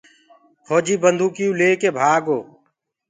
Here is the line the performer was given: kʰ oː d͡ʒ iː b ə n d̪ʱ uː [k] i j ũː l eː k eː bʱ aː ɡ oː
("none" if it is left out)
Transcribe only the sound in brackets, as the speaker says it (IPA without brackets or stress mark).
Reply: k